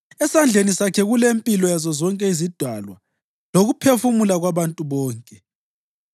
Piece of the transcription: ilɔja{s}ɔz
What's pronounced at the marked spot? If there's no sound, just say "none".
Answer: z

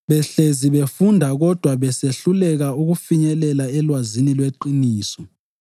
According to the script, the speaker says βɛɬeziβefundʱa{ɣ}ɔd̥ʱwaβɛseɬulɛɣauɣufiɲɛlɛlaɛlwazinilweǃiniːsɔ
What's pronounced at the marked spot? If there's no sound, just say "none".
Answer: ɣ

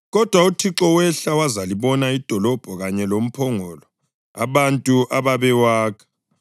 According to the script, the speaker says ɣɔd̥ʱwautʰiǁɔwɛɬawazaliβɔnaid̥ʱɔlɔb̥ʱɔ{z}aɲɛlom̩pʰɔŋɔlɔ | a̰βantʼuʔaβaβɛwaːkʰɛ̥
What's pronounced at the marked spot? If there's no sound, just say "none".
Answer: ɣ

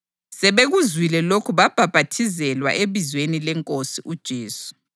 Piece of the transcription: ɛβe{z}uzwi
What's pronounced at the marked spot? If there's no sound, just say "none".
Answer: ɣ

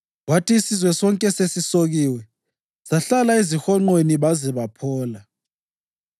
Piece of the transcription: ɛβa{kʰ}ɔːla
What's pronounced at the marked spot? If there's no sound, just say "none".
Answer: pʰ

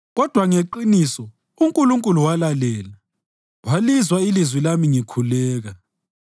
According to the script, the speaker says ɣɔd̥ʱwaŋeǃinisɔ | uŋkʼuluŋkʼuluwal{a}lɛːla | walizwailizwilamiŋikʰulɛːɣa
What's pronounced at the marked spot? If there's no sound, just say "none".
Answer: a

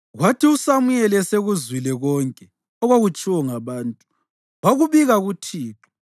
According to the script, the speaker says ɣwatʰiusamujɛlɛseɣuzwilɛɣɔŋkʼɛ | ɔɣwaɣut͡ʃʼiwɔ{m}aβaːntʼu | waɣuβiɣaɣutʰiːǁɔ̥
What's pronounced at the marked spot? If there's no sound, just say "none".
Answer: ŋ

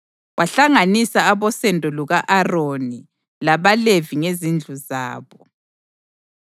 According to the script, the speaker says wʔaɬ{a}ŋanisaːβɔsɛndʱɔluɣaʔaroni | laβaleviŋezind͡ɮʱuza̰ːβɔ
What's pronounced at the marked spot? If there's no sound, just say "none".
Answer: a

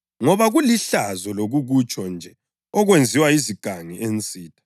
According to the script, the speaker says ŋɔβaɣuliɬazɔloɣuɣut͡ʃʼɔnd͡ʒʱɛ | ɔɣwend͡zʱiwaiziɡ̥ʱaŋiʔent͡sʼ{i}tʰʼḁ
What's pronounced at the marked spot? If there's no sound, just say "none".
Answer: iː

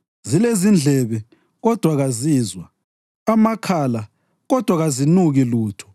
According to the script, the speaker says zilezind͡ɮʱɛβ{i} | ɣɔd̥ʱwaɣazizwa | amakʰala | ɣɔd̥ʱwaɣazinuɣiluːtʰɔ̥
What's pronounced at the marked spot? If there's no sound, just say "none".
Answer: ɛ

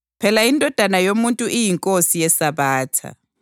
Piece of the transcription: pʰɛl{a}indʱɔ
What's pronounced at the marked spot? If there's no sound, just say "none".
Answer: a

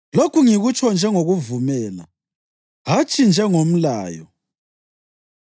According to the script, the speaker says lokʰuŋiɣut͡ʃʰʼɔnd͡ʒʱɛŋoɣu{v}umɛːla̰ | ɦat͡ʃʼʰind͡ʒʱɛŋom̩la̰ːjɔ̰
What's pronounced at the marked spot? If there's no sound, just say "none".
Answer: v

